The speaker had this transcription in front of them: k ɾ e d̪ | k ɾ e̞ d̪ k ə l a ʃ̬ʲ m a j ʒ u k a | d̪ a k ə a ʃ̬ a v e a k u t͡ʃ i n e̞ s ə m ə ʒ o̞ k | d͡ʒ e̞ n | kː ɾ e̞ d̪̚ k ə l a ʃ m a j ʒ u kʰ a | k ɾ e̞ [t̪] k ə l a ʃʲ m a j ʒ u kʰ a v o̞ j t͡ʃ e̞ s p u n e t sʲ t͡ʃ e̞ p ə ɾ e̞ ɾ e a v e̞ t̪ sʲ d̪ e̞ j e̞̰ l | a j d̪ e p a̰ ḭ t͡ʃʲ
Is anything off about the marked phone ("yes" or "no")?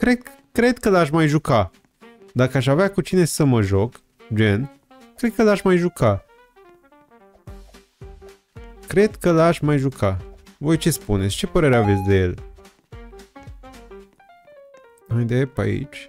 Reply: yes